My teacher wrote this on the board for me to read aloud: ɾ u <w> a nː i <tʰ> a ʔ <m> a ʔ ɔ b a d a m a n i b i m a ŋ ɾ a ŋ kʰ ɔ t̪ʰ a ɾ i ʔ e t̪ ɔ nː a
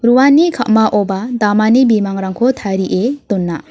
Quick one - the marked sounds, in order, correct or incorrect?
correct, incorrect, correct

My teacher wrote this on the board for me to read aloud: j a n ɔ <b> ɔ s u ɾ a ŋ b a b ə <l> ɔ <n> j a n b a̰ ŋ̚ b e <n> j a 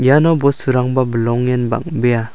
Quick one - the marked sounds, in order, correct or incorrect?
correct, correct, incorrect, incorrect

